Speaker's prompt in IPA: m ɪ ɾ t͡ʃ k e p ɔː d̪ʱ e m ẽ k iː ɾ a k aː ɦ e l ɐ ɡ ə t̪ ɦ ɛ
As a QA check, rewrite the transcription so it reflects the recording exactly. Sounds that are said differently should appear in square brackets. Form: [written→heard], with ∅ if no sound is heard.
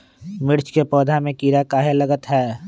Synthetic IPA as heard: m ɪ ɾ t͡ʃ k e p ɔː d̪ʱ [e→a] m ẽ k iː ɾ a k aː ɦ e l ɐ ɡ ə t̪ ɦ [ɛ→ɛː]